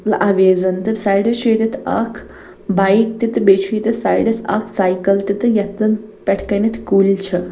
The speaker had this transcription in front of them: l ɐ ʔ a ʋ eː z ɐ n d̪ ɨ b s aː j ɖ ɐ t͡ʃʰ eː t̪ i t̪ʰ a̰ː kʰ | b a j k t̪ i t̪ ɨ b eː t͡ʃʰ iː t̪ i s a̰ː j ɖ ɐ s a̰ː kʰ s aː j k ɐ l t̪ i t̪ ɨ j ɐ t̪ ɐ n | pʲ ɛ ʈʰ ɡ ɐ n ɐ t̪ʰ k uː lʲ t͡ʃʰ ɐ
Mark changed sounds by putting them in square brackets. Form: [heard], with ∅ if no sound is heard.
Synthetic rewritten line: l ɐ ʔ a ʋ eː z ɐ n [t̪] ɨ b s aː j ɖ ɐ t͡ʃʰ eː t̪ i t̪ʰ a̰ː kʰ | b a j k t̪ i t̪ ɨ b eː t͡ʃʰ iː t̪ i s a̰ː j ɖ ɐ s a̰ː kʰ s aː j k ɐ l t̪ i t̪ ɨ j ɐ t̪ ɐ n | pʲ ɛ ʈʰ [k] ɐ n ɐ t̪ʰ k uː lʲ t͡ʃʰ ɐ